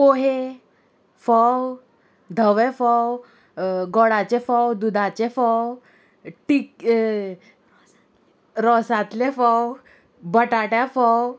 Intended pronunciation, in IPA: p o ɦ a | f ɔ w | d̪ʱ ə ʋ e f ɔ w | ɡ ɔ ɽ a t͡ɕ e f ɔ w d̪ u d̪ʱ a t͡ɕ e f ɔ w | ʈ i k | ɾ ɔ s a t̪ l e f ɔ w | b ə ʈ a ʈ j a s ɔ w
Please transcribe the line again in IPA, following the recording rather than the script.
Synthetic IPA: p o ɦ e | f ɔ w | d̪ʱ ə ʋ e f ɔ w | ɡ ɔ ɽ a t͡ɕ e f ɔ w d̪ u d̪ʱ a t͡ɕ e f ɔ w | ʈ i k | ɾ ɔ s a t̪ l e f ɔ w | b ə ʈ a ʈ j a f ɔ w

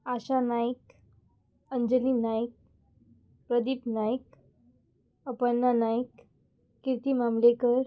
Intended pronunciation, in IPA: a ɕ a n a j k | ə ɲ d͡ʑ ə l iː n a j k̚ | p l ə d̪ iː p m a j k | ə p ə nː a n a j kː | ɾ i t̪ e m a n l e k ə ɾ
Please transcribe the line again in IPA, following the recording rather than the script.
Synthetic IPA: a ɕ a n a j k | ə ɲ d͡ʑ ə l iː n a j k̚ | p ɾ ə d̪ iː p n a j k | ə p ə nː a n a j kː | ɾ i t̪ i m a m l e k ə ɾ

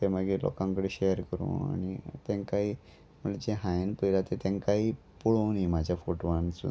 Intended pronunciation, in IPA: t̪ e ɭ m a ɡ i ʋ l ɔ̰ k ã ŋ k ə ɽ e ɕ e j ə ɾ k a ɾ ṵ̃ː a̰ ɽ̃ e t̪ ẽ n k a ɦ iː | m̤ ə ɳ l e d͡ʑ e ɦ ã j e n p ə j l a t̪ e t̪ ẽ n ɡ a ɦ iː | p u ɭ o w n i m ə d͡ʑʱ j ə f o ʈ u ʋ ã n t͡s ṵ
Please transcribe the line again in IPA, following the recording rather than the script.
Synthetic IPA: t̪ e m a ɡ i l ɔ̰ k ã ŋ k ə ɽ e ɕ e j ə ɾ k ə ɾ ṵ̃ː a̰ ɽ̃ i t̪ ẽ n k a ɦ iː | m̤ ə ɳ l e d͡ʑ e ɦ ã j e n p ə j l a t̪ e t̪ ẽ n k a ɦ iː | p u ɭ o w n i m a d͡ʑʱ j a f o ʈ o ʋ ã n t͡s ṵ

